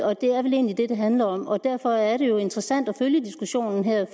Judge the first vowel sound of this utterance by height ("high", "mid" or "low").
low